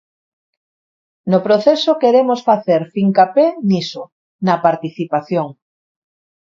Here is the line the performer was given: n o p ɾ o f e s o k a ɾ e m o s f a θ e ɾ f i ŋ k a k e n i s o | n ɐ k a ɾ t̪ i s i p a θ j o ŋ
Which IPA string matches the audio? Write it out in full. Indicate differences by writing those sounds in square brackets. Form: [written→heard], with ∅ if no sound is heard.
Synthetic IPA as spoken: n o p ɾ o [f→θ] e s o k [a→e] ɾ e m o s f a θ e ɾ f i ŋ k a [k→p] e n i s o | n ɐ [k→p] a ɾ t̪ i [s→θ] i p a θ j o ŋ